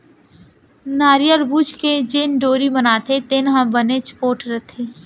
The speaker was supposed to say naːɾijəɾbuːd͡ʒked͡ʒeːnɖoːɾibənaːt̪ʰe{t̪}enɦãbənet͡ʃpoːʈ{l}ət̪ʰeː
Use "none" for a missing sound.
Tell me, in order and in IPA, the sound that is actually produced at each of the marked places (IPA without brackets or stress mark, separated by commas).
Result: t̪, ɾ